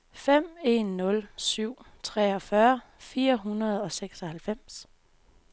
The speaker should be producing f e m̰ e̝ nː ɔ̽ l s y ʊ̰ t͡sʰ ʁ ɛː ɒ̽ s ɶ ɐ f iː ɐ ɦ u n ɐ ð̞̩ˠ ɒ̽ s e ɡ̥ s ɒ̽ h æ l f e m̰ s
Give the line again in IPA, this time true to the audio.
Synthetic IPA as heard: f e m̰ e̝ nː ɔ̽ l s y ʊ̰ t͡sʰ ʁ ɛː ɒ̽ f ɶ ɐ f iː ɐ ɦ u n ɐ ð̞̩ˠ ɒ̽ s e ɡ̥ s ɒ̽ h æ l f e m̰ s